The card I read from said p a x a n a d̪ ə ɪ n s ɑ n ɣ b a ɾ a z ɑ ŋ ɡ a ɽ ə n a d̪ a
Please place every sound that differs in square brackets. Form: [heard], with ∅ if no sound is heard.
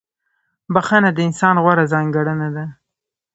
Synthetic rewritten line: [b] a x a n a d̪ ə ɪ n s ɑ n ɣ [w] a ɾ a z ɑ ŋ ɡ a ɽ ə n a d̪ a